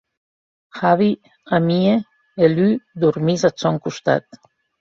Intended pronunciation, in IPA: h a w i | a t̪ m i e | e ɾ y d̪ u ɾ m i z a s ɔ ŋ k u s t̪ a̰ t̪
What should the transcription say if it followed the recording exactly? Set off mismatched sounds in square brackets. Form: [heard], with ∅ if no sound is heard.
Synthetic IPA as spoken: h a [β] i | a [∅] m i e | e [l] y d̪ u ɾ m i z a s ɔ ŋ k u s t̪ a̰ t̪

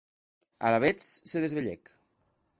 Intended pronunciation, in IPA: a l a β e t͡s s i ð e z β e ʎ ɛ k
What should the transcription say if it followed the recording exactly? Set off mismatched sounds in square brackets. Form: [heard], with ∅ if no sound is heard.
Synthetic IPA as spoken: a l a β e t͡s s [e] ð e z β e ʎ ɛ k

